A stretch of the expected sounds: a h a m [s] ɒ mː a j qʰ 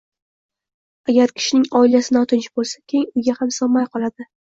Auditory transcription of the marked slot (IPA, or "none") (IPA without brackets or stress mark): s